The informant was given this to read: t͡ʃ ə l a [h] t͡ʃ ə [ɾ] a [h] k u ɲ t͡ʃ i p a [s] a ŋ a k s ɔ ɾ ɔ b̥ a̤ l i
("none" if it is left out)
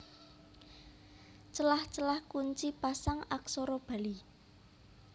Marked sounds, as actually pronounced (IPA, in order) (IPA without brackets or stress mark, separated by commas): h, l, h, s